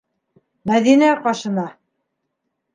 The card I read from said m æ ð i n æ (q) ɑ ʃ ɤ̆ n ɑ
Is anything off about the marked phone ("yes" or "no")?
no